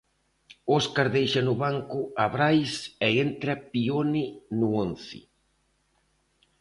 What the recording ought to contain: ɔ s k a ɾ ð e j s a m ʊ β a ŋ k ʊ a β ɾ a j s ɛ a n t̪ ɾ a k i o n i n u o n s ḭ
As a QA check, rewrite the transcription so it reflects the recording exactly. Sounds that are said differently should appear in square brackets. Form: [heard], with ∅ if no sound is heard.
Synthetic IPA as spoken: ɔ s k a ɾ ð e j [ʃ] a [n] ʊ β a ŋ k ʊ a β ɾ a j s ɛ [e] n t̪ ɾ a [p] i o n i n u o n [θ] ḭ